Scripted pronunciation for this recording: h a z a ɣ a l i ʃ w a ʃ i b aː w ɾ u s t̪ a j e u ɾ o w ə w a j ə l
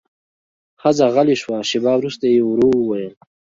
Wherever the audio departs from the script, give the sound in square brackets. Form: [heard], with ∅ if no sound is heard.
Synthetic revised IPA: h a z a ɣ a l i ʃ w a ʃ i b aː w ɾ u s t̪ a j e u ɾ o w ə w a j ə l

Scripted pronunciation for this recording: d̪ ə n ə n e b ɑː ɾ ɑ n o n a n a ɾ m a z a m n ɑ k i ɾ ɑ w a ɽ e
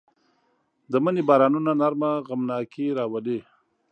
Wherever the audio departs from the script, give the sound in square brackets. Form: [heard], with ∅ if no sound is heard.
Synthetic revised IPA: d̪ ə [m] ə n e b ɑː ɾ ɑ n [u] n a n a ɾ m a [ɣ] a m n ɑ k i ɾ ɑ w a [l] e

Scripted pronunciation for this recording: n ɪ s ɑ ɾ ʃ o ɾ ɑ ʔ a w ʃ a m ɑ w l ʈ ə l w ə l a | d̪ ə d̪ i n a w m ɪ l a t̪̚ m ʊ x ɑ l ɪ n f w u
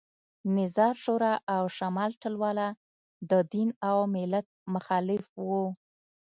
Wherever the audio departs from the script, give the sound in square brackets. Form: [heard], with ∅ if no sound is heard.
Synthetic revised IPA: n ɪ [z] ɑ ɾ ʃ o ɾ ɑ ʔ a w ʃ a m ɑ [∅] l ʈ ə l w [ɑ] l a | d̪ ə d̪ i n a w m ɪ l a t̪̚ m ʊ x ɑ l ɪ [∅] f w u

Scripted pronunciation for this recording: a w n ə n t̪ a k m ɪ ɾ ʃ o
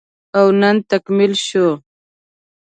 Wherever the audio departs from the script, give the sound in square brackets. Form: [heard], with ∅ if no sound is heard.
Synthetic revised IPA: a w n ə n t̪ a k m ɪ [l] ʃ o

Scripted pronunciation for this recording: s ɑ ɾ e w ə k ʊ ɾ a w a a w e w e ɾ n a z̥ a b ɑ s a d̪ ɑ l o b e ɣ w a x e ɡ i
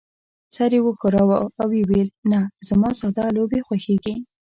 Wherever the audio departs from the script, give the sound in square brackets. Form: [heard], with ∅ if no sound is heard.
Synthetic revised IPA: s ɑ ɾ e w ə k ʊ ɾ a w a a w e w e [l] n a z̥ a [m] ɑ s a d̪ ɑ l o b e [x] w a x e ɡ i

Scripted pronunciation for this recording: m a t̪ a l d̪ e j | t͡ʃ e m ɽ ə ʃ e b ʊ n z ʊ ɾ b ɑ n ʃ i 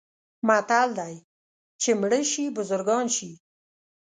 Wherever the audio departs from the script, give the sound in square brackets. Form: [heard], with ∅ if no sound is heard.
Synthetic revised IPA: m a t̪ a l d̪ [a] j | t͡ʃ e m ɽ ə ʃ [i] b ʊ [∅] z ʊ ɾ [ɡ] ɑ n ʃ i

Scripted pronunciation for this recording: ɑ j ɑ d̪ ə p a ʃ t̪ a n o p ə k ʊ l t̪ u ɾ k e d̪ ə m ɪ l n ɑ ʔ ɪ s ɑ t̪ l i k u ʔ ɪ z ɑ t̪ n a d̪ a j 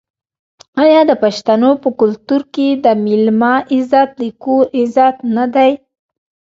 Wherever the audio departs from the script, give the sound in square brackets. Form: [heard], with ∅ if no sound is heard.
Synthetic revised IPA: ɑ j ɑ d̪ ə p a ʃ t̪ a n o p ə k ʊ l t̪ u ɾ k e d̪ ə m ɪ l [m] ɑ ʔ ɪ [z] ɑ t̪ l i k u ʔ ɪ z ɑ t̪ n a d̪ a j

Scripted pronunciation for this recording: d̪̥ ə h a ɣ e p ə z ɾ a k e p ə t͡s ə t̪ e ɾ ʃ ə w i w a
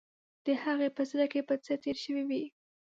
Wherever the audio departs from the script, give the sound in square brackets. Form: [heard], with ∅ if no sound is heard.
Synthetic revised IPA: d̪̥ ə h a ɣ e p ə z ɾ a k e p ə t͡s ə t̪ e ɾ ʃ ə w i w [i]

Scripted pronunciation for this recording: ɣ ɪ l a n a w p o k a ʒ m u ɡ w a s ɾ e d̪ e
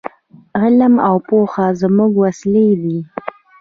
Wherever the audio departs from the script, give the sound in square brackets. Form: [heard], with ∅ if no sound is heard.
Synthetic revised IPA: ɣ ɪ l a [m] a w p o [x] a [z] m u ɡ w a s [l] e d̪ [i]

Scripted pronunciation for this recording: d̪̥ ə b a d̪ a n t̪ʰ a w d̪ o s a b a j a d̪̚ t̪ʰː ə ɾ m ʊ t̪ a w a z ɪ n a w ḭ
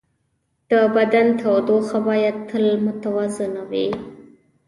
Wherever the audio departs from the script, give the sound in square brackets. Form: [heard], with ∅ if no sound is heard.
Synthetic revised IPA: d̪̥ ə b a d̪ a n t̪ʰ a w d̪ o [x] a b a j a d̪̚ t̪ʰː ə [l] m ʊ t̪ a w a z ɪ n a w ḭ

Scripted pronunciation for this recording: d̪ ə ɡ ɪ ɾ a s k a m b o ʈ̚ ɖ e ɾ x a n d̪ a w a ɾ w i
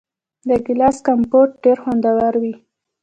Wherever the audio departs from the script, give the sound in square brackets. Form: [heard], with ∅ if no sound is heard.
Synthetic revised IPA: d̪ ə ɡ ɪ [l] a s k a m [p] o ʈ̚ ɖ e ɾ x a n d̪ a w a ɾ w i

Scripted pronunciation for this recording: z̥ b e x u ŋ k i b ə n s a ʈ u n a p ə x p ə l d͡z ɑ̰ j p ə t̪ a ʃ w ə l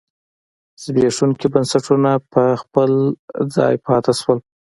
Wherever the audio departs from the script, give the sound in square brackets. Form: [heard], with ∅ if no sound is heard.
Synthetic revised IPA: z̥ b e [ʂ] u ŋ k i b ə n s a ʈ u n a p ə x p ə l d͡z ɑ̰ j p [ɑ] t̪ a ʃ w ə l

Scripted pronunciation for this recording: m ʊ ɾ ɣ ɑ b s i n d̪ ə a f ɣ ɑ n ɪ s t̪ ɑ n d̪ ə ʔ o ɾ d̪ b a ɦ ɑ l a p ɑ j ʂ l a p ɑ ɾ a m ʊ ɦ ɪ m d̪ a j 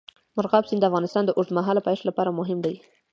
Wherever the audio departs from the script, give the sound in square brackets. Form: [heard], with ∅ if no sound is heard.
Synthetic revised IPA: m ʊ ɾ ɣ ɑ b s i n d̪ ə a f ɣ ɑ n ɪ s t̪ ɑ n d̪ ə ʔ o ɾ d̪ [m] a ɦ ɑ l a p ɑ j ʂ l a p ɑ ɾ a m ʊ ɦ ɪ m d̪ a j

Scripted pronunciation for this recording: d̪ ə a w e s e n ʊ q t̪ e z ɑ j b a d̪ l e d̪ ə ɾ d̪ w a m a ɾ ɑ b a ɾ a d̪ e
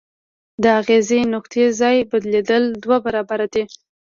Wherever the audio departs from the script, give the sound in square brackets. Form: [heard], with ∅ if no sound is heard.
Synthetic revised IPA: d̪ ə a [ɣ] e [z] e n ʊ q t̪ e z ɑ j b a d̪ l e d̪ ə [l] d̪ w a [b] a ɾ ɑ b a ɾ a d̪ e

